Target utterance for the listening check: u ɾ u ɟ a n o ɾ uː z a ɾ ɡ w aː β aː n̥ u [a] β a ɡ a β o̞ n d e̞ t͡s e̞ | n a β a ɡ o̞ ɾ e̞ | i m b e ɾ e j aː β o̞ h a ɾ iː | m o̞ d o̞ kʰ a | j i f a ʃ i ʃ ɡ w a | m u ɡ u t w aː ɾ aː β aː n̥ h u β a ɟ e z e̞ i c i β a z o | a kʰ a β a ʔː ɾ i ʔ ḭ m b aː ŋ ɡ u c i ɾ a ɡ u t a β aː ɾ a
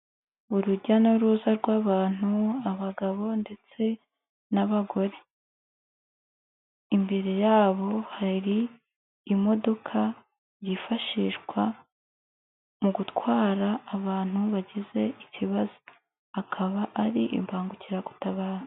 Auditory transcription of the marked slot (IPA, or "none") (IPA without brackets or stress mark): a